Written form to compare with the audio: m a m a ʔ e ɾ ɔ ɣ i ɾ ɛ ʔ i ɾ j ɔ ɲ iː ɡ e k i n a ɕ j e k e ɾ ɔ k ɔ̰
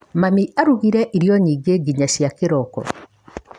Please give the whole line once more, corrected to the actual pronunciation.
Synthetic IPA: m a m i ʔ a ɾ u ɣ i ɾ ɛ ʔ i ɾ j ɔ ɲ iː ɡ e ɡ i ɲ a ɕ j a k e ɾ ɔ k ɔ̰